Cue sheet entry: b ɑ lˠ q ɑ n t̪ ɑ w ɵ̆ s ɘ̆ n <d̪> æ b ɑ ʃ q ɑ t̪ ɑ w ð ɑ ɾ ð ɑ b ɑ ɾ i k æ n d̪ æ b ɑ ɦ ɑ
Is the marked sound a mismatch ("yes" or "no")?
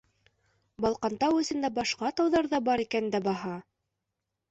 no